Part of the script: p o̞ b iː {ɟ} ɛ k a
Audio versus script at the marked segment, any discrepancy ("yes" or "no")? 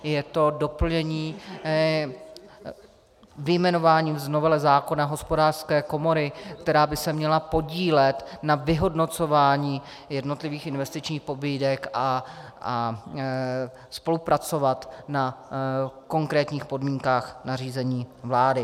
yes